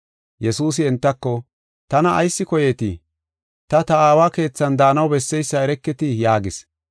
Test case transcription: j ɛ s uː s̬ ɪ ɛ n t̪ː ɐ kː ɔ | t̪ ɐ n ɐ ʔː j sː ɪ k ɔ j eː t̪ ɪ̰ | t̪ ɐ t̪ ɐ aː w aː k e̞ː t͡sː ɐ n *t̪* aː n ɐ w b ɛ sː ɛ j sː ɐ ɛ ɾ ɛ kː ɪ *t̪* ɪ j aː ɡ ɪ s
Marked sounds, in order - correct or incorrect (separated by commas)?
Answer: incorrect, correct